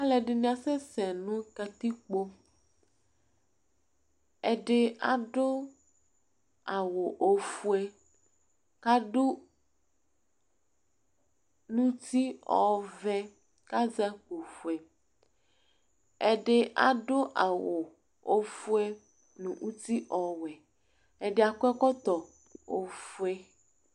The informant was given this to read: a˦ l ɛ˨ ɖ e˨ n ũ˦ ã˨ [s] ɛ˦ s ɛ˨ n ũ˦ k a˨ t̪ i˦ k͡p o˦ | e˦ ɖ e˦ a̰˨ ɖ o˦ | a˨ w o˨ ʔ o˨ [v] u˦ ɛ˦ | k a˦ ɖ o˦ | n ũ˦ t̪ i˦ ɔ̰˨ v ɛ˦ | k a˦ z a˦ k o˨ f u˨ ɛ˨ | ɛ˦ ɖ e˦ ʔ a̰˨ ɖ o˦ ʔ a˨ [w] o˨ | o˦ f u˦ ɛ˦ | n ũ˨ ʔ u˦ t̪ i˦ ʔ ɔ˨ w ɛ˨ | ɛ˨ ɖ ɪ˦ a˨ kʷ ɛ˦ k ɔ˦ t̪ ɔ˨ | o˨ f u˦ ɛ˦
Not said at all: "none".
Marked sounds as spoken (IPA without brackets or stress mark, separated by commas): s, f, w